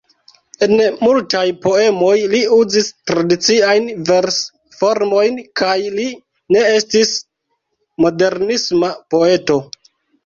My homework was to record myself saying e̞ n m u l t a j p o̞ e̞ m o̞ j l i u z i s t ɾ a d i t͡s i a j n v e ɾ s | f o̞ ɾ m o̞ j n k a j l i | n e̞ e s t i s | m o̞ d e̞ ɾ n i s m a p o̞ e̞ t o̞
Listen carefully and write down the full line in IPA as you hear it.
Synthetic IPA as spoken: e̞ n m u l t a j p o̞ e̞ m o̞ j l i u z i s t ɾ a d i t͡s i a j n v e ɾ s | f o̞ ɾ m o̞ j n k a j l i | n e̞ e s t i s | m o̞ d e̞ ɾ n i s m a p o̞ e̞ t o̞